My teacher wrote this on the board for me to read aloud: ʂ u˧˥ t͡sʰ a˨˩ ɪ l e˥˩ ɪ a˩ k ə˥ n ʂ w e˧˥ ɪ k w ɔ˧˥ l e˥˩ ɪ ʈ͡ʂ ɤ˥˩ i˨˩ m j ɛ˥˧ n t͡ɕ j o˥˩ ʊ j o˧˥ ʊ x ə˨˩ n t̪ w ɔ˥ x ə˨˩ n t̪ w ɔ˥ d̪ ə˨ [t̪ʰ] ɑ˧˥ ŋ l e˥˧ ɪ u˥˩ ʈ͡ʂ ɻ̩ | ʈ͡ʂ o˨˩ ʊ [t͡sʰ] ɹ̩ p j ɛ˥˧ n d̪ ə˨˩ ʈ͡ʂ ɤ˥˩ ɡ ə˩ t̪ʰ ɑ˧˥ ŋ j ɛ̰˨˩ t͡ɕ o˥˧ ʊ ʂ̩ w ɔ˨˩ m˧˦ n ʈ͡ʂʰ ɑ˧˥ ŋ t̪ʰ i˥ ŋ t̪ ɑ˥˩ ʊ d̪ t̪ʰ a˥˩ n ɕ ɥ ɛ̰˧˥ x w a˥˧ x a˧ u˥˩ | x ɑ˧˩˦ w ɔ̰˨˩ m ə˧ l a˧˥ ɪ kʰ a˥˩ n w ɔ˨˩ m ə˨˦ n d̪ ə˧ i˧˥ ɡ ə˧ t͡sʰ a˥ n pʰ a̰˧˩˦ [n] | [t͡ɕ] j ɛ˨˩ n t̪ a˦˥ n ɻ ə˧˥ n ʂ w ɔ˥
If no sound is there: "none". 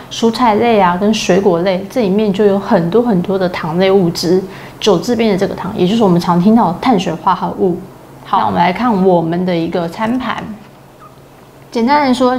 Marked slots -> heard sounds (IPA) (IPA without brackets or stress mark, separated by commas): t̪ʰ, t͡s, n, t͡ɕ